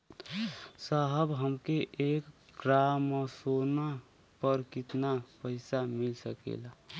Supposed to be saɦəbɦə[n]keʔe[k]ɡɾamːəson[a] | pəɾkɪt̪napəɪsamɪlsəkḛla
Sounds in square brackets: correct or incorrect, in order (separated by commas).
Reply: incorrect, correct, correct